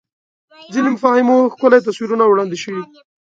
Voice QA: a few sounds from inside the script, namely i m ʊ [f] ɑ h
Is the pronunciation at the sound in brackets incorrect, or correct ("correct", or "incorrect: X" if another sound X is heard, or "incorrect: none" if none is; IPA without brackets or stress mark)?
correct